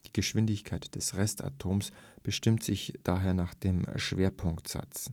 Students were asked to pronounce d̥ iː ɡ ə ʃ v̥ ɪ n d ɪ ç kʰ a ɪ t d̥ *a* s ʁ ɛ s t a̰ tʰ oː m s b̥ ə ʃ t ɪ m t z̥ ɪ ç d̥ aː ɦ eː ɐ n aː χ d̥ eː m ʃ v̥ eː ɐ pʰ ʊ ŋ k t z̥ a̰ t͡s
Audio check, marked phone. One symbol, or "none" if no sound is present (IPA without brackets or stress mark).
ɛ